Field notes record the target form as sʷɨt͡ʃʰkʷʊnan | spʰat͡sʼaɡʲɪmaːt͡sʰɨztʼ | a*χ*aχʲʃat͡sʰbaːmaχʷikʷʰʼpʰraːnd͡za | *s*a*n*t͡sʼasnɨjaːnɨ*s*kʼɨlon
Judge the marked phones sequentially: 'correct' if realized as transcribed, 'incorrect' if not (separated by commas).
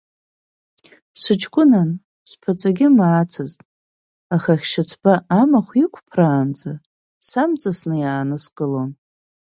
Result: correct, correct, incorrect, correct